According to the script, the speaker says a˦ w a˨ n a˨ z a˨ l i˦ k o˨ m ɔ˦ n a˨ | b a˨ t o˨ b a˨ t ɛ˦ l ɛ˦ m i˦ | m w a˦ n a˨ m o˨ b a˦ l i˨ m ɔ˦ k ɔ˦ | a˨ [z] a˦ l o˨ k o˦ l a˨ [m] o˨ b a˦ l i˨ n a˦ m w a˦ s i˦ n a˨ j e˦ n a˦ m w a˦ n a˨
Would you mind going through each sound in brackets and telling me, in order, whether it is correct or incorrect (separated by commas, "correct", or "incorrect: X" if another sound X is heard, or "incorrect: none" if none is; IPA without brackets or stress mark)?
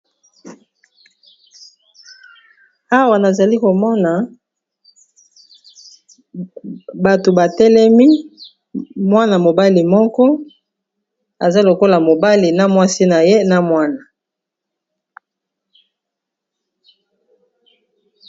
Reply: correct, correct